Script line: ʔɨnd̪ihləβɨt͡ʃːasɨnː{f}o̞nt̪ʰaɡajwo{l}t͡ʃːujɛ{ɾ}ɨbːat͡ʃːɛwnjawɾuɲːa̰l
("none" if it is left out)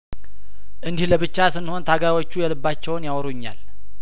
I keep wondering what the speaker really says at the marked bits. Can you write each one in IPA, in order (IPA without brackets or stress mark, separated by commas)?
h, none, l